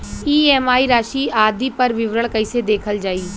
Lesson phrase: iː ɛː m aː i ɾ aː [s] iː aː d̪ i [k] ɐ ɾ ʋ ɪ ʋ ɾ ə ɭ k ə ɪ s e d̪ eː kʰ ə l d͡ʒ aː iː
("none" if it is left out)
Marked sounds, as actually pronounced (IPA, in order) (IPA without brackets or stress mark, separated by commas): ʃ, p